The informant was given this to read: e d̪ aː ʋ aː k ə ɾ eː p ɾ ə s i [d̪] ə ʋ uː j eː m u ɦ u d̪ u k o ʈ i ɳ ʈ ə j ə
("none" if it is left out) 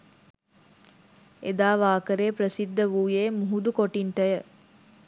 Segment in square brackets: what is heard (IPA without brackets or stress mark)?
d̪ː